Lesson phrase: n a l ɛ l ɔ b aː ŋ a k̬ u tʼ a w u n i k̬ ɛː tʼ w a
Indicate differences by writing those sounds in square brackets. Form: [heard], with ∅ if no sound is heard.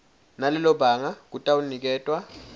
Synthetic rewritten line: n a l ɛ l ɔ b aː ŋ a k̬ u tʼ a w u n i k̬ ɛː tʼ w a